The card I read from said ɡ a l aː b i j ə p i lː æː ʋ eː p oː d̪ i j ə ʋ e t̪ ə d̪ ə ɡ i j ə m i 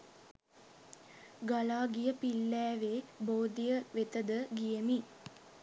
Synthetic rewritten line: ɡ a l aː ɡ i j ə p i lː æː ʋ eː b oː d̪ i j ə ʋ e t̪ ə d̪ ə ɡ i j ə m i